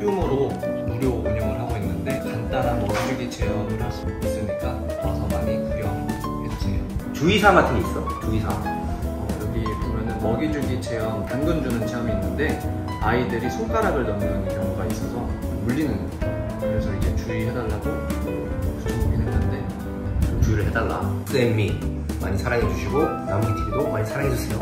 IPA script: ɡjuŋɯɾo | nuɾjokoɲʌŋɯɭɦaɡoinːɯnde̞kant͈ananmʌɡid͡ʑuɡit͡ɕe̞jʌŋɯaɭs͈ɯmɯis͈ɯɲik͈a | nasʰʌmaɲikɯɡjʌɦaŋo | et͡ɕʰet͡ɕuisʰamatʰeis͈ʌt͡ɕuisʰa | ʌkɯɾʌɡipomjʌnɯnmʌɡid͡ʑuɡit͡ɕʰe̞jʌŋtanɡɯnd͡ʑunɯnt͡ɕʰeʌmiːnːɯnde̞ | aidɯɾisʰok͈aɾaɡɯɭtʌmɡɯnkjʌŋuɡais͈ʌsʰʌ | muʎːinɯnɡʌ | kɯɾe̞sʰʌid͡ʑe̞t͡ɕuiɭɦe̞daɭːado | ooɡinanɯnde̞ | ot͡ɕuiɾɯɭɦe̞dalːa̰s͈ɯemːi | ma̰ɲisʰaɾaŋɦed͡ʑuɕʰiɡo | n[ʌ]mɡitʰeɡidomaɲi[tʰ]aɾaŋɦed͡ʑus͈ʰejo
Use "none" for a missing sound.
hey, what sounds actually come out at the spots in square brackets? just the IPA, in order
a, sʰ

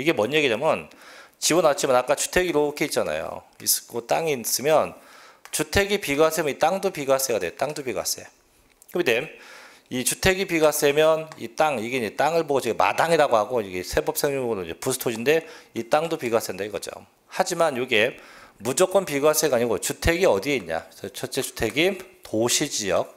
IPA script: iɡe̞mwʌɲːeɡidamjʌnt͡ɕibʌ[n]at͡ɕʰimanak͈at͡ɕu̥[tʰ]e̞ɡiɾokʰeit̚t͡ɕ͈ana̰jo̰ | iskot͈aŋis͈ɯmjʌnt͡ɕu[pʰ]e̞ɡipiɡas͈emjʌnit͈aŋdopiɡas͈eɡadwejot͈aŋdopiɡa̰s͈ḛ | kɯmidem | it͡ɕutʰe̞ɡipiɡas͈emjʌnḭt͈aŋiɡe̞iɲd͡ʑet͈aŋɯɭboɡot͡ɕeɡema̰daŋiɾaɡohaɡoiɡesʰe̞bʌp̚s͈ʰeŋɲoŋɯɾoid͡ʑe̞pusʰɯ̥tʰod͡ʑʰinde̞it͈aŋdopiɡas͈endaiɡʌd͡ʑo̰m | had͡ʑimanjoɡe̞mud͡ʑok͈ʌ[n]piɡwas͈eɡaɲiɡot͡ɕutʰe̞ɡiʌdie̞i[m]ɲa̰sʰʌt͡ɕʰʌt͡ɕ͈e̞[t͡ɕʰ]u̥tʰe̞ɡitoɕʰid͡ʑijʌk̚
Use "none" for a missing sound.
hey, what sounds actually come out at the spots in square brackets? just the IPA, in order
n, tʰ, tʰ, n, ɲ, t͡ɕ

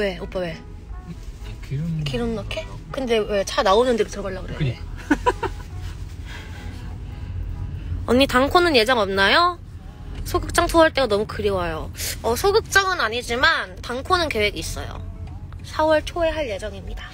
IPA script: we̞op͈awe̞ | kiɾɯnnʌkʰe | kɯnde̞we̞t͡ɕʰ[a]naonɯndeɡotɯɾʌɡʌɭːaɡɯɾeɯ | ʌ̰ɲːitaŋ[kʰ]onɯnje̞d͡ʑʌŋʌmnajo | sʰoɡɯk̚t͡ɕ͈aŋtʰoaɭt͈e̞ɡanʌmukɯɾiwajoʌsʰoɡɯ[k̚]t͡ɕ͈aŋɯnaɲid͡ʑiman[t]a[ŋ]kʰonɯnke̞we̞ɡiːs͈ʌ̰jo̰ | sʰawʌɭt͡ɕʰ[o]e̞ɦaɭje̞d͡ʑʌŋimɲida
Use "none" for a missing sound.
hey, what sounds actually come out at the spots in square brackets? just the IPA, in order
a, kʰ, k̚, t, ŋ, o

